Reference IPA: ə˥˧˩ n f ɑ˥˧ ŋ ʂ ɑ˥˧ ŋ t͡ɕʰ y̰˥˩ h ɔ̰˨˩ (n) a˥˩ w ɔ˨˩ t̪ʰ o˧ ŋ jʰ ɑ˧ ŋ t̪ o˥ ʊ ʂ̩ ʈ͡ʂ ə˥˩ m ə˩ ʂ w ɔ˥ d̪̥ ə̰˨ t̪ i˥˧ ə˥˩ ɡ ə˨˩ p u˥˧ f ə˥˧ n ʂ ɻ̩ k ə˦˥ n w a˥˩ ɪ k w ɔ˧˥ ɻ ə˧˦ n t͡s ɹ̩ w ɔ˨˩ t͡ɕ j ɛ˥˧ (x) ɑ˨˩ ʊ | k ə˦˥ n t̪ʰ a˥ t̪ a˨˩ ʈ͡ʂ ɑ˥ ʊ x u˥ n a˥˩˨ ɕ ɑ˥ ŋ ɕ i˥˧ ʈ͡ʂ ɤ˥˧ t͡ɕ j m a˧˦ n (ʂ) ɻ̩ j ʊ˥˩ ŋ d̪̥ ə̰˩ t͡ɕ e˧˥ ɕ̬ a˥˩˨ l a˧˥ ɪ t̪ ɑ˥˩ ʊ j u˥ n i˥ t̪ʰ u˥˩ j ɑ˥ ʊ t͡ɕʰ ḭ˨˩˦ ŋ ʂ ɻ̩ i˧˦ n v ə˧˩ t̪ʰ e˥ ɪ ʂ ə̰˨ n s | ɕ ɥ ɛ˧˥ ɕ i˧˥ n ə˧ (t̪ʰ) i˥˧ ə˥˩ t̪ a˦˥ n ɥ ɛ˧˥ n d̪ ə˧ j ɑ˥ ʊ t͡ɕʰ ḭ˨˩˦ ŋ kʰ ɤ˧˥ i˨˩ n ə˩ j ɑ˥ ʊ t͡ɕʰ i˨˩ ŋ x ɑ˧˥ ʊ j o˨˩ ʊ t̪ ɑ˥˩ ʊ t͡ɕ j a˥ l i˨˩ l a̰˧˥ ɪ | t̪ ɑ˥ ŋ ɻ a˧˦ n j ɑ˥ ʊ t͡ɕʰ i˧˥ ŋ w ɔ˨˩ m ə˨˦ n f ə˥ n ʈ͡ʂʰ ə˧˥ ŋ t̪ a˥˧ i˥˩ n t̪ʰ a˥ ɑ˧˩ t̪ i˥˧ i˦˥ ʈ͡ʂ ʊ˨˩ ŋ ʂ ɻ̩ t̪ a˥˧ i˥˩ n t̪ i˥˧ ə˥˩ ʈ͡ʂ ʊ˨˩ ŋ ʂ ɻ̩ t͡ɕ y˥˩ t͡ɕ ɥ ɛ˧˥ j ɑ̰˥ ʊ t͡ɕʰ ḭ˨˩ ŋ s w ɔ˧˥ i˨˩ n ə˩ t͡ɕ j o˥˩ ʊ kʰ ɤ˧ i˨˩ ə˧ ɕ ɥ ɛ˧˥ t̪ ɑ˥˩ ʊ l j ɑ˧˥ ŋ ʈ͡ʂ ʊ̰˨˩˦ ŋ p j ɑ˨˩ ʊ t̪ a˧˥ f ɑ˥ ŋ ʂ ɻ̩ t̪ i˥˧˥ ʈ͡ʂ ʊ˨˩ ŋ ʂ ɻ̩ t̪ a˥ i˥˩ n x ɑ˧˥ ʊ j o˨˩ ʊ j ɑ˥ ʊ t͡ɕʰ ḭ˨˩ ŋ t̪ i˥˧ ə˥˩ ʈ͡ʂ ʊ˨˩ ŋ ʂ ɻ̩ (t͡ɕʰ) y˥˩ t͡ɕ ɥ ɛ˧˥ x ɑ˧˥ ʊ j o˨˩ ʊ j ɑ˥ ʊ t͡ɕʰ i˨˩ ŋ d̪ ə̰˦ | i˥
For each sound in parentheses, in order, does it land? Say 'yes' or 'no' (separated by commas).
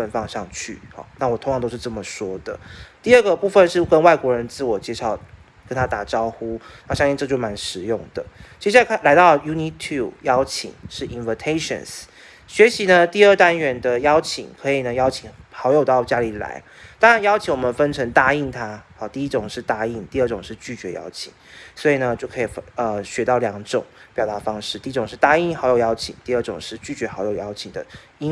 yes, no, yes, no, no